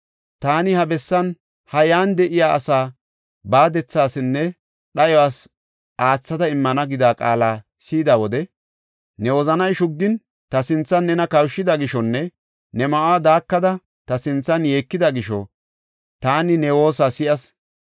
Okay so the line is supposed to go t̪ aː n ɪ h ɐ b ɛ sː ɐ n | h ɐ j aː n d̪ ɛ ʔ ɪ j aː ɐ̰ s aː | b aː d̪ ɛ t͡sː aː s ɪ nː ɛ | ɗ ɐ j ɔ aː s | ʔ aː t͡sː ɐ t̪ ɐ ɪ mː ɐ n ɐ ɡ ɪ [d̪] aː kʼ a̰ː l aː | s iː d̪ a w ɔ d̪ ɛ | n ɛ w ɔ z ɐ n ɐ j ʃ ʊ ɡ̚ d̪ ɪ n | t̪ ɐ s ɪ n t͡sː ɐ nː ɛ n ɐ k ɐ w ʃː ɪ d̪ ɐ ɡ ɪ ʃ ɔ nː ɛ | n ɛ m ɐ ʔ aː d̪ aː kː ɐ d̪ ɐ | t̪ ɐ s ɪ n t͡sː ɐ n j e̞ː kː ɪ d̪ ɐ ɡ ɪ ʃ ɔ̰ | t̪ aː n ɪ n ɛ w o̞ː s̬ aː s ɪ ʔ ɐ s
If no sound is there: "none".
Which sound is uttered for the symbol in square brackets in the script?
d̪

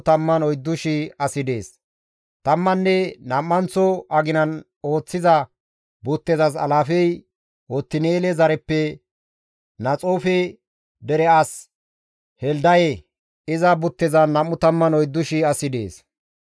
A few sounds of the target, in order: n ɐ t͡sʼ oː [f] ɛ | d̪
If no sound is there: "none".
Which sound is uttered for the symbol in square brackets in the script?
f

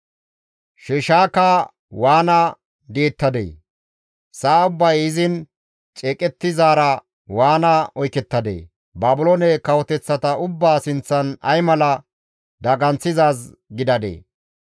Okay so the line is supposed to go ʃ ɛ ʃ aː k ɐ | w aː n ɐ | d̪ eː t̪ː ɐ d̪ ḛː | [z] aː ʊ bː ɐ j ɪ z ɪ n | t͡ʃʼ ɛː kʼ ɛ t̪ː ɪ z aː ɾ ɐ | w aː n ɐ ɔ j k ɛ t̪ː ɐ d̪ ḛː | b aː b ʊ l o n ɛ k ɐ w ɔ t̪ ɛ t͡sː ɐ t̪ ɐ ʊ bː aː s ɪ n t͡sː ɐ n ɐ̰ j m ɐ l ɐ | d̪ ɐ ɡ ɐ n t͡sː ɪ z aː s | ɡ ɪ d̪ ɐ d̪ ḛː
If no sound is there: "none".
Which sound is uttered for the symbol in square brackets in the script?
s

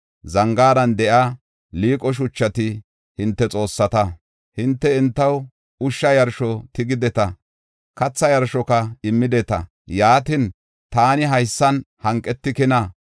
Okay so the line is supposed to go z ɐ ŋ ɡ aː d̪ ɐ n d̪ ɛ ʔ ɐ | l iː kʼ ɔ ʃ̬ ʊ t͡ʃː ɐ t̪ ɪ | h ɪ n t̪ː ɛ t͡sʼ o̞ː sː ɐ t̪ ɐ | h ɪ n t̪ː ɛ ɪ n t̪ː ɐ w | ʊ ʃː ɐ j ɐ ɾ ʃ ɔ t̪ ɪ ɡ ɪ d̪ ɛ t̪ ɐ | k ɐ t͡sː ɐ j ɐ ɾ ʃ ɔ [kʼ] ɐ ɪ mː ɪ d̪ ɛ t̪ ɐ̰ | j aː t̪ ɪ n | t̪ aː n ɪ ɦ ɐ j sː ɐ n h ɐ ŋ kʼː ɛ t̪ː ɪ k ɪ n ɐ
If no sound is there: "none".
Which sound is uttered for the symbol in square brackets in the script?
k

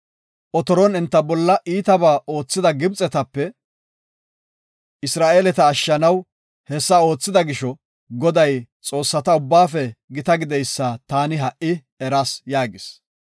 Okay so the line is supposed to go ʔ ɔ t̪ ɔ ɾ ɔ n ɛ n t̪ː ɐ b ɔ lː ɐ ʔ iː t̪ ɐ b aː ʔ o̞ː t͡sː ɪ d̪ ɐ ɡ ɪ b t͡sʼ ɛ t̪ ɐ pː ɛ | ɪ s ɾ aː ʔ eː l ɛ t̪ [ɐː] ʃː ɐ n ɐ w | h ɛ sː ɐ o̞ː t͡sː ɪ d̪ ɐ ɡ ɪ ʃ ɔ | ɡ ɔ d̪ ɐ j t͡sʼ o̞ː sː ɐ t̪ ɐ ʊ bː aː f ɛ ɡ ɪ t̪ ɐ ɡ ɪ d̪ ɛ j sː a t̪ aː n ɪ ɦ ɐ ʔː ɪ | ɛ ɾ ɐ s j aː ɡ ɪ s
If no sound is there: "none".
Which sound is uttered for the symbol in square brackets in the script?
ɐː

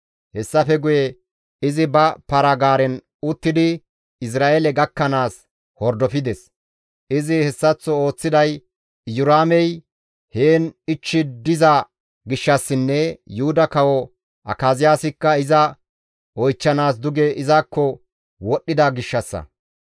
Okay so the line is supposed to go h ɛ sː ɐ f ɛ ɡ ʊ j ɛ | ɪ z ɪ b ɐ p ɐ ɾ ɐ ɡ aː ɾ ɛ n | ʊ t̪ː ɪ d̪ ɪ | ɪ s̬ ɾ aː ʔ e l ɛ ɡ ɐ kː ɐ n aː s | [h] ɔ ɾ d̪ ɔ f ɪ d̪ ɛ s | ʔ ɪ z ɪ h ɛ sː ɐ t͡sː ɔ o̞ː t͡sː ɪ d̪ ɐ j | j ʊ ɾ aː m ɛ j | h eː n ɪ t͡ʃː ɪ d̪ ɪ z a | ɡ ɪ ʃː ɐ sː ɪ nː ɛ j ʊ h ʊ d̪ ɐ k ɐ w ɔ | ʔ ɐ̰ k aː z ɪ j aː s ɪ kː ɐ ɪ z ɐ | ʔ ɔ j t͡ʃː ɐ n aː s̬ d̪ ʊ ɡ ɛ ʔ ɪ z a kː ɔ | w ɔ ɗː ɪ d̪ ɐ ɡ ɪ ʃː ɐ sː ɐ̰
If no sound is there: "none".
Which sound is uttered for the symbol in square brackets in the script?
h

